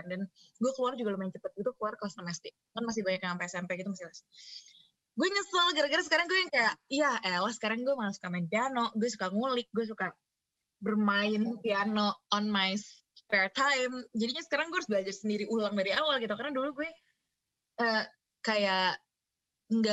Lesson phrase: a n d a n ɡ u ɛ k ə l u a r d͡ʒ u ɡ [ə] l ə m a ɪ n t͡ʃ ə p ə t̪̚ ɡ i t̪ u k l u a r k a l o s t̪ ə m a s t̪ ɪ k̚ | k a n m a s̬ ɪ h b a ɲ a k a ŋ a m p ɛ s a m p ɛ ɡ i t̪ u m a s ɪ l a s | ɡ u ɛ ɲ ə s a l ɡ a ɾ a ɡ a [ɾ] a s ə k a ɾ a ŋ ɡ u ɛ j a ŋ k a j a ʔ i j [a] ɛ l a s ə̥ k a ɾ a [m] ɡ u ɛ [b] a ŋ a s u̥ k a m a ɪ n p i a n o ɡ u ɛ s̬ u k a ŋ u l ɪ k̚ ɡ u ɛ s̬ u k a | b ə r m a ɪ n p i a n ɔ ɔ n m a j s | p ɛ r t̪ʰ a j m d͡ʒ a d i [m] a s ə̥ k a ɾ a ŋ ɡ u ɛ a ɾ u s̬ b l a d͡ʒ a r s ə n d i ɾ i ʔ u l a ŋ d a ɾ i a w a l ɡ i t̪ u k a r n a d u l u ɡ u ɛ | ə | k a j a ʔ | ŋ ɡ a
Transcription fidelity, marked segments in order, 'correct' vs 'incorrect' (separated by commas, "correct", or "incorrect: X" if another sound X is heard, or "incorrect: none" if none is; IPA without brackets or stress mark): incorrect: a, correct, correct, incorrect: ŋ, incorrect: m, incorrect: ɲ